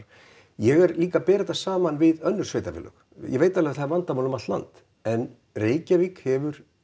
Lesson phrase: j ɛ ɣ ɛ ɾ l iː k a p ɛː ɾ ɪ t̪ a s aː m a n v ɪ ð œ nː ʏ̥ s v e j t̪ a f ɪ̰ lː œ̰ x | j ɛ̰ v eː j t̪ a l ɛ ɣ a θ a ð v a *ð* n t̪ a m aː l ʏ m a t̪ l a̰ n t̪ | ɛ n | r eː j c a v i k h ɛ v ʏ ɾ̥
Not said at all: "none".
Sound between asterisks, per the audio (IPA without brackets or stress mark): none